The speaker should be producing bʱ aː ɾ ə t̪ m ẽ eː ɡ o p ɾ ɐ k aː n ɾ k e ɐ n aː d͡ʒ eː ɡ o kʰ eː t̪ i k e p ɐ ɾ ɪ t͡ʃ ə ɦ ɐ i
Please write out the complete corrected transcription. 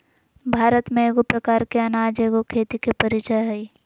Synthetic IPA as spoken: bʱ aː ɾ ə t̪ m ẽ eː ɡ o p ɾ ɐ k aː ɾ k e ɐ n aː d͡ʒ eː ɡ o kʰ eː t̪ i k e p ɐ ɾ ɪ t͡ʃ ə ɦ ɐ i